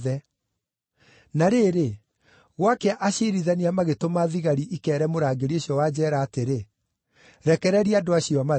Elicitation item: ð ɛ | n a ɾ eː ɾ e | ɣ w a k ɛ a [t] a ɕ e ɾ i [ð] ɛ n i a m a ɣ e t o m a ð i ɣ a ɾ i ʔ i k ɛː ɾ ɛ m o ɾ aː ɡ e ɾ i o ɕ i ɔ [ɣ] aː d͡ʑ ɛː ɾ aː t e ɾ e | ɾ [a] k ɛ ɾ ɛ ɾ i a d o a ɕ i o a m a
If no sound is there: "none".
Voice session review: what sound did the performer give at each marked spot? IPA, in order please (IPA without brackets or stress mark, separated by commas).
ʔ, ð, w, ɛ